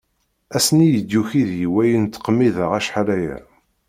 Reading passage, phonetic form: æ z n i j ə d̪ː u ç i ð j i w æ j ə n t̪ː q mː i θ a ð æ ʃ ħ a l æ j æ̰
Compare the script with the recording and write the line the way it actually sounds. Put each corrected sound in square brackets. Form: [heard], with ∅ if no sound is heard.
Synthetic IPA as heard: æ [s] n i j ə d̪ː u ç i ð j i w æ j ə n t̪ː q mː i [ð] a [ʁ] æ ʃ ħ a l æ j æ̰